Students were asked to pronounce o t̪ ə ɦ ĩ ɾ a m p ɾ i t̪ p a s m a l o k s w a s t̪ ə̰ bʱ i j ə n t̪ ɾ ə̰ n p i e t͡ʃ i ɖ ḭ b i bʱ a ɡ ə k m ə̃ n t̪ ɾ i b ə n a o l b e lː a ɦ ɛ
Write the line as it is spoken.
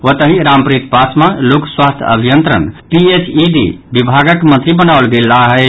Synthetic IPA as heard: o t̪ ə ɦ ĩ ɾ a m p ɾ i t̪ p a s m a l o k s w a s t̪ʰ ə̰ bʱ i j ə n t̪ ɾ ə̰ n p i e t͡ʃ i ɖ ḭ b i bʱ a ɡ ə k m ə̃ n t̪ ɾ i b ə n a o l ɡ e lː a ɦ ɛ

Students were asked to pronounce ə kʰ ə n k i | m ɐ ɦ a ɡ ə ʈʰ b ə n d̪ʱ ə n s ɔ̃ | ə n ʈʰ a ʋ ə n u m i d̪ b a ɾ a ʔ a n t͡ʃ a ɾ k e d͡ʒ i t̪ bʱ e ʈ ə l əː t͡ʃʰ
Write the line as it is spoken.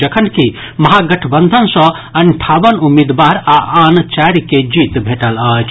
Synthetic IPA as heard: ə kʰ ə n k i | m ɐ ɦ a ɡ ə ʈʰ b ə n d̪ʱ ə n s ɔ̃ | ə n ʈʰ a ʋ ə n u m i d̪ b a ɾ a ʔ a n t͡ʃ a ɾ k e d͡ʒ i t̪ bʱ e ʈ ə l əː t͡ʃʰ

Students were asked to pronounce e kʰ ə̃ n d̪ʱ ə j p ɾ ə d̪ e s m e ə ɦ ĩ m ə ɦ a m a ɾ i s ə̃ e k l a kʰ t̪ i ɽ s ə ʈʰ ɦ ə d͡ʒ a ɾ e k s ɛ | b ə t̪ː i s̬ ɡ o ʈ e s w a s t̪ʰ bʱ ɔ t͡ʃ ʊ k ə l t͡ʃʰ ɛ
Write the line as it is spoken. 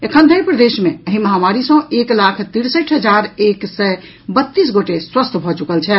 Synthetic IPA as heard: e kʰ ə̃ n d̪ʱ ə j p ɾ ə d̪ e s m e ə ɦ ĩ m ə ɦ a m a ɾ i s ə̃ e k l a kʰ t̪ i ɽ s ə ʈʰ ɦ ə d͡ʒ a ɾ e k s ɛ | b ə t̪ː i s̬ ɡ o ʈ e s w ə s t̪ʰ bʱ ɔ t͡ʃ u k ə l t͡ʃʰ ɛ

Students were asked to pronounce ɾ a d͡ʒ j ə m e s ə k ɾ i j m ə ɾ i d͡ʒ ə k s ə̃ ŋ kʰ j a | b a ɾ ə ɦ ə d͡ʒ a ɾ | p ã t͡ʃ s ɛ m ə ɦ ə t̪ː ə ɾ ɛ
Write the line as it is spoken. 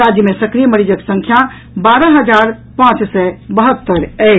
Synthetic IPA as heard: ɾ a d͡ʒ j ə m e s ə k ɾ i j m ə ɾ i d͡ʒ ə k s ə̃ ŋ kʰ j a | b a ɾ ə ɦ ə d͡ʒ a ɾ | p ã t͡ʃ s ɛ b ə ɦ ə t̪ː ə ɾ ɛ

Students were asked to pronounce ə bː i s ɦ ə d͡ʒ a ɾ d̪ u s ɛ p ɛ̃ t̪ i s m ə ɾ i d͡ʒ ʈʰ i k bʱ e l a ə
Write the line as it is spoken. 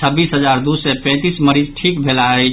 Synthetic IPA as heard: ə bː i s ɦ ə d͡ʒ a ɾ d̪ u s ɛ p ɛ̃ t̪ i s m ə ɾ i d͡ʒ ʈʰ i k bʱ e l a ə

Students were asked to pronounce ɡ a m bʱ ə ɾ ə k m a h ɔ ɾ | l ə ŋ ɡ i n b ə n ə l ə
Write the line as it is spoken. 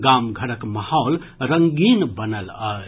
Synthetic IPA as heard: ɡ a m ɡʱ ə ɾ ə k m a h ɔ l | ɾ ə ŋ ɡ i n b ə n ə l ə

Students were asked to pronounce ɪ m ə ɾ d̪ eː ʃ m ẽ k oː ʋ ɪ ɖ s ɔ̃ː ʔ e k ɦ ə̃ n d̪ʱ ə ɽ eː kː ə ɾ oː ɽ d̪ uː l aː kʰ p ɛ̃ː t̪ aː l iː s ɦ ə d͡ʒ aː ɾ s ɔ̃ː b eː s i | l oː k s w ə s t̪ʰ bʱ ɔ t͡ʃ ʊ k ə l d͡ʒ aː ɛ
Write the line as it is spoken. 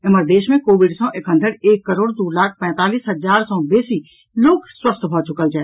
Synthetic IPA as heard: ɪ m ə ɾ d̪ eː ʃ m ẽ k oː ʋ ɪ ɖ s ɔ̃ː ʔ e k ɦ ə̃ n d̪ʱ ə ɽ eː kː ə ɾ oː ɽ d̪ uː l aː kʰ p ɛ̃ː t̪ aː l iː s ɦ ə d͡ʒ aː ɾ s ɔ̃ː b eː s i | l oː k s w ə s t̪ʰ bʱ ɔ t͡ʃ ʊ k ə l d͡ʒ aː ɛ

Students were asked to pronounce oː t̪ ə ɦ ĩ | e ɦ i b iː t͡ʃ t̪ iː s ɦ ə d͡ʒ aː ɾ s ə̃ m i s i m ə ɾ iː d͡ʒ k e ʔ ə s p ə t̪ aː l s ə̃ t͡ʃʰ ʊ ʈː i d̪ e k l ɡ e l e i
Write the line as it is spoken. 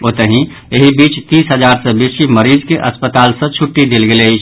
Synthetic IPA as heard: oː t̪ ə ɦ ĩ | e ɦ i b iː t͡ʃ t̪ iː s ɦ ə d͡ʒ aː ɾ s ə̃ b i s i m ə ɾ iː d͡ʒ k e ʔ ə s p ə t̪ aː l s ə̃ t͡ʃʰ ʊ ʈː i d̪ e l ɡ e l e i

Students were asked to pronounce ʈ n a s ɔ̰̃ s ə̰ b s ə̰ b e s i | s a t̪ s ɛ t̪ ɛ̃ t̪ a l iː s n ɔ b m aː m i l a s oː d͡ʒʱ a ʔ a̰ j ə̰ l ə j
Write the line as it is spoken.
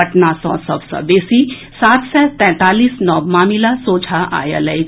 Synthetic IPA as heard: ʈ n a s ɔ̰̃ s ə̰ b s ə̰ b e s i | s a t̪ s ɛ t̪ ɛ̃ t̪ a l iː s n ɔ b m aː m i l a s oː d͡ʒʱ a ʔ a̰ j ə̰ l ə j

